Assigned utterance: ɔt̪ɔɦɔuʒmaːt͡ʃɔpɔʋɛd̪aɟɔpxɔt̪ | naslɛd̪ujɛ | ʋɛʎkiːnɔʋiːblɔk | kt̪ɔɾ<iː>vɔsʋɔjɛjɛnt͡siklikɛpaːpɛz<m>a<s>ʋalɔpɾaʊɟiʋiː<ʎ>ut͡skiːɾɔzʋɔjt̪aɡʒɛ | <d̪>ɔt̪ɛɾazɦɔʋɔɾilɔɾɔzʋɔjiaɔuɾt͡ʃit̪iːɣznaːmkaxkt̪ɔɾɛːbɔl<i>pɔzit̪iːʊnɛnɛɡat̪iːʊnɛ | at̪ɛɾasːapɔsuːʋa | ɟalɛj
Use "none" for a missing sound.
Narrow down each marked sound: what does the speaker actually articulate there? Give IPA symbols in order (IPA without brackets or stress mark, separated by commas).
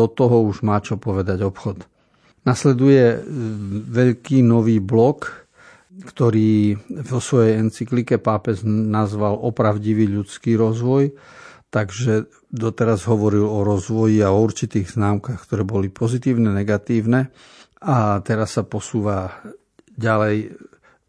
iː, n, z, ʎ, d̪, i